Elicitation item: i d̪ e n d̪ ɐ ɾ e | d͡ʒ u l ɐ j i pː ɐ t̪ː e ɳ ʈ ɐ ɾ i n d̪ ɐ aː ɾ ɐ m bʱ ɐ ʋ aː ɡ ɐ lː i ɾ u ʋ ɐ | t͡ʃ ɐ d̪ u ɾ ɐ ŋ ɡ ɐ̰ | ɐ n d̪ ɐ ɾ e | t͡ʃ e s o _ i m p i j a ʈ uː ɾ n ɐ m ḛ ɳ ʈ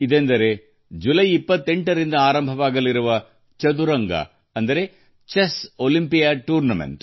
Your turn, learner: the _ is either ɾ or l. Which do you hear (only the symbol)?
l